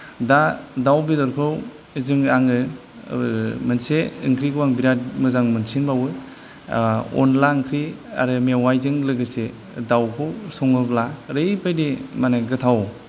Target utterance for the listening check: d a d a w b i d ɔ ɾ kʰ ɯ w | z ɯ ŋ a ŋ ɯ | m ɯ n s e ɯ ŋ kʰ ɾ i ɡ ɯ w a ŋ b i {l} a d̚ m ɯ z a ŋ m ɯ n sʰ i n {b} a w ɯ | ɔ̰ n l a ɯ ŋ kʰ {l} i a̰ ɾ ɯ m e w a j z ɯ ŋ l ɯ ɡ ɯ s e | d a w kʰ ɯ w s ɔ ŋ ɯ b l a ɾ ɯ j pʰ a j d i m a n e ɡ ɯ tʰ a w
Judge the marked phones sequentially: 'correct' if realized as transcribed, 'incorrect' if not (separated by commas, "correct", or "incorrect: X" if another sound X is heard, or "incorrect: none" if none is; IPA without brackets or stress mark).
incorrect: ɾ, correct, incorrect: ɾ